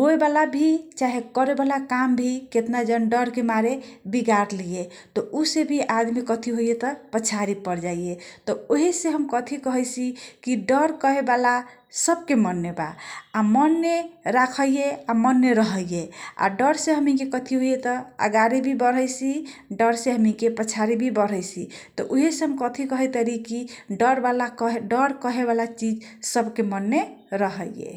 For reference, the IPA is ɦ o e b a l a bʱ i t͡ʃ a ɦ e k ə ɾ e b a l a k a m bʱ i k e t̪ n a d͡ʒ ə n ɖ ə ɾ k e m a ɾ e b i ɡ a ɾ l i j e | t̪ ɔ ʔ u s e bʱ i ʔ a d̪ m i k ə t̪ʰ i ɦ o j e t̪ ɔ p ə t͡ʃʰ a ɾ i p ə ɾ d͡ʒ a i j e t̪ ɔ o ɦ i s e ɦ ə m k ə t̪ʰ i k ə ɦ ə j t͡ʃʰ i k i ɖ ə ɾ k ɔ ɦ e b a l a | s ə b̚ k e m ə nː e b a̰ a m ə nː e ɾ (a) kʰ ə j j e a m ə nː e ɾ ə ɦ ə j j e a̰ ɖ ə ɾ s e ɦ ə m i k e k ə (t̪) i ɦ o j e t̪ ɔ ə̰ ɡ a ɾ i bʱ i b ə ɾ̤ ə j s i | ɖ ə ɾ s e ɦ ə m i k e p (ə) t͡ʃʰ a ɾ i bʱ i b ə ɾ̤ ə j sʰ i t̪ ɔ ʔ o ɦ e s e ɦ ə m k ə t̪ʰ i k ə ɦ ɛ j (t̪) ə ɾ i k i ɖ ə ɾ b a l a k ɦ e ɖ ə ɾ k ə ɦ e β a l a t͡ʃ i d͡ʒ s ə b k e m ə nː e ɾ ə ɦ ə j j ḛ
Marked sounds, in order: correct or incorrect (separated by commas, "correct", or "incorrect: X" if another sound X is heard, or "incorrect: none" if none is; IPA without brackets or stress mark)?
correct, incorrect: t̪ʰ, correct, correct